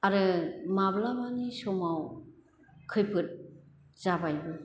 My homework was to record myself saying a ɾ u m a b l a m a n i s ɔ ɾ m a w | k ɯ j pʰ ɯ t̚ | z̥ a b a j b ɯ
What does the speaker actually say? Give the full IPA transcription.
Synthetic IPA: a ɾ ɯ m a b l a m a n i s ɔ m a w | kʰ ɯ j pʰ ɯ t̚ | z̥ a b a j b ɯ

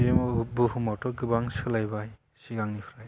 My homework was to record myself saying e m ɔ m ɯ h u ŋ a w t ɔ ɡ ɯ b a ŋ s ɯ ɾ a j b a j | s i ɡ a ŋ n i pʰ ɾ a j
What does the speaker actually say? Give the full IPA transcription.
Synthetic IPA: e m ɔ b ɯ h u m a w t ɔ ɡ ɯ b a ŋ s ɯ l a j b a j | s i ɡ a ŋ n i pʰ ɾ a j

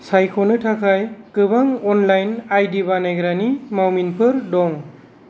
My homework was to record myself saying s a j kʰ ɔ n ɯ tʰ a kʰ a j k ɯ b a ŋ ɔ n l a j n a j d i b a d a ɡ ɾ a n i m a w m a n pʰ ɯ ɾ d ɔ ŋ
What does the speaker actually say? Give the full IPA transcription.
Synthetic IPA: s a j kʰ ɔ n ɯ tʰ a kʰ a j k ɯ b a ŋ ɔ n l a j n a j d i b a n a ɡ ɾ a n i m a w m i n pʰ ɯ ɾ d ɔ ŋ

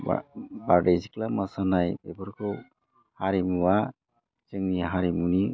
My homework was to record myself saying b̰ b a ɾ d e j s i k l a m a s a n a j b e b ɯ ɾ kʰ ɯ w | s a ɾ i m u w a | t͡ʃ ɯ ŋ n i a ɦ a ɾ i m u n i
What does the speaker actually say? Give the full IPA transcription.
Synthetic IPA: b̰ b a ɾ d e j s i k l a m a s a n a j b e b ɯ ɾ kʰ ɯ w | h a ɾ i m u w a | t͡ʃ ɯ ŋ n i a ɦ a ɾ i m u n i

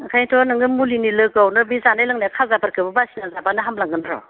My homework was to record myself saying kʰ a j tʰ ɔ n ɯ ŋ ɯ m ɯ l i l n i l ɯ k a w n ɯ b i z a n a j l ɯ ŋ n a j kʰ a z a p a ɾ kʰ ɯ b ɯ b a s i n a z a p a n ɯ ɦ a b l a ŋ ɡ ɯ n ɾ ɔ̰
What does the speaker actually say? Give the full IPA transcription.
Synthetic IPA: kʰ a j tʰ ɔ n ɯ ŋ ɯ m u l i n i l ɯ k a w n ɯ b i z a n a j l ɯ ŋ n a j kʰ a z a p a ɾ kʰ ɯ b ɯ b a s i n a z a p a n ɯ ɦ a m l a ŋ ɡ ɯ n ɾ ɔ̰

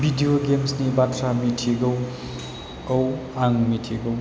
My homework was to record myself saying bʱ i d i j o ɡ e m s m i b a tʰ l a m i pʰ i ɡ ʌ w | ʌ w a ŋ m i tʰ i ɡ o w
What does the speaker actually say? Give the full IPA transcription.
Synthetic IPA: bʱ i d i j o ɡ e m s n i b a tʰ ɾ a m i tʰ i ɡ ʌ w | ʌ w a ŋ m i tʰ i ɡ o w

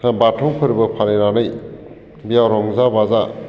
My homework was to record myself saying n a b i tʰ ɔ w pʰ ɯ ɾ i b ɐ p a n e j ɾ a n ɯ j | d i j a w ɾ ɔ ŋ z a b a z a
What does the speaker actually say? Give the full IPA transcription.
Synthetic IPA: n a b a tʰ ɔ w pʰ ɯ ɾ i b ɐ pʰ a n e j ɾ a n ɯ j | b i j a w ɾ ɔ ŋ z a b a z a

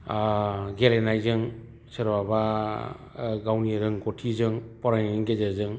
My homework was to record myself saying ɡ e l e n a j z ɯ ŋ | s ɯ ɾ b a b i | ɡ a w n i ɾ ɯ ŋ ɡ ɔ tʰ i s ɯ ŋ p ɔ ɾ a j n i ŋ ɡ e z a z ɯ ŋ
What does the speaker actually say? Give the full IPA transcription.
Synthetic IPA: ɡ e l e n a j z ɯ ŋ | s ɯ ɾ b a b a | ɡ a w n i ɾ ɯ ŋ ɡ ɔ tʰ i z ɯ ŋ p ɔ ɾ a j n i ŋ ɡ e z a z ɯ ŋ

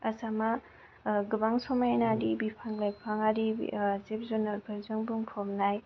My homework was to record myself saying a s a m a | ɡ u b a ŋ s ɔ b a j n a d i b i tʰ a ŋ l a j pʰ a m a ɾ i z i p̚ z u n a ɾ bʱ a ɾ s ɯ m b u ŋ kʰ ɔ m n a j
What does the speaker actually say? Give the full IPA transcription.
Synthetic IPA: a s a m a | ɡ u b a ŋ s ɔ m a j n a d i b i pʰ a ŋ l a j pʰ a ŋ a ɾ i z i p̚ z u n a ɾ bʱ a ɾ z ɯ ŋ b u ŋ pʰ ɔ m n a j

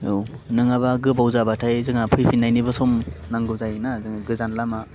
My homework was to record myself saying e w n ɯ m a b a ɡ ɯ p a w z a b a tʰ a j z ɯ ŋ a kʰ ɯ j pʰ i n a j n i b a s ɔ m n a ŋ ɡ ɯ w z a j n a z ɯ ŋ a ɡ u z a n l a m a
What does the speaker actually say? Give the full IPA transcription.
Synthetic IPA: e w n ɯ ŋ a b a ɡ ɯ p a w z a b a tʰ a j z ɯ ŋ a pʰ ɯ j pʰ i n a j n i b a s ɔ m n a ŋ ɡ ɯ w z a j n a z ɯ ŋ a ɡ ɯ z a n l a m a

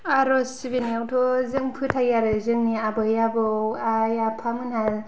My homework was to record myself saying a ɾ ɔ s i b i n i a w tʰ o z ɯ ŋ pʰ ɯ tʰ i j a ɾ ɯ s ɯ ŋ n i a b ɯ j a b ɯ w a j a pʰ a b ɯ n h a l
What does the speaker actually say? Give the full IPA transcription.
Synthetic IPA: a ɾ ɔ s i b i n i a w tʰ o z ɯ ŋ pʰ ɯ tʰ a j a ɾ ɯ z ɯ ŋ n i a b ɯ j a b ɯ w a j a pʰ a m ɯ n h a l

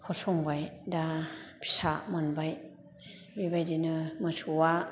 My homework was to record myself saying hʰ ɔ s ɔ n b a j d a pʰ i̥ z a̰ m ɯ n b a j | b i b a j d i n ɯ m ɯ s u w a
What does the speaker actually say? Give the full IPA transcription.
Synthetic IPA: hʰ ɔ s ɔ ŋ b a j d a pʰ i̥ s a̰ m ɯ n b a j | b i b a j d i n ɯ m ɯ s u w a

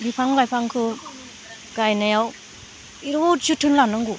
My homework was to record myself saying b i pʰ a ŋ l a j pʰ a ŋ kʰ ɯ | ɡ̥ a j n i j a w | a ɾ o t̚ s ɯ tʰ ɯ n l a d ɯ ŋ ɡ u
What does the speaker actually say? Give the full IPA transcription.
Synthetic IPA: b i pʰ a ŋ l a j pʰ a ŋ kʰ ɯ | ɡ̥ a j n a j a w | i ɾ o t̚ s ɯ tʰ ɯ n l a n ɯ ŋ ɡ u

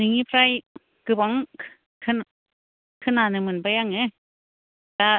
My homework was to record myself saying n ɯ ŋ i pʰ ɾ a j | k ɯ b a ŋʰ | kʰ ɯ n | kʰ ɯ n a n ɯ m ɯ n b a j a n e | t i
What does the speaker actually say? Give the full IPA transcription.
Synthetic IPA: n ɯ ŋ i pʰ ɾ a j | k ɯ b a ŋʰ | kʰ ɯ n | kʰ ɯ n a n ɯ m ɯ n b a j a ŋ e | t a

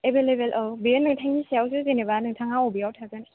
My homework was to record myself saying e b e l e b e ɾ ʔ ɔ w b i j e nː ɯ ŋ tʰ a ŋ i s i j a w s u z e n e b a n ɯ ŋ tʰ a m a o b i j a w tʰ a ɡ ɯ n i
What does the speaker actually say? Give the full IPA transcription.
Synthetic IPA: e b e l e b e l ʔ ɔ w b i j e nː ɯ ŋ tʰ a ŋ i s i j a w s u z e n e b a n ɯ ŋ tʰ a ŋ a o b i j a w tʰ a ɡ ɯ n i

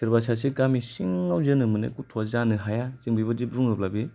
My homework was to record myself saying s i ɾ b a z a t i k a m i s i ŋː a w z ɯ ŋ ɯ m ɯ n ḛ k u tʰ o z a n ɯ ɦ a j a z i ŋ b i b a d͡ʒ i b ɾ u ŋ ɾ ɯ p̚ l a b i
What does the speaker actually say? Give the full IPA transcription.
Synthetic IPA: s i ɾ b a s a s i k a m i s i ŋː a w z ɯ n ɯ m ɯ n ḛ k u tʰ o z a n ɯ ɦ a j a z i ŋ b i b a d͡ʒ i b ɾ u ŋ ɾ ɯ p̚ l a b i

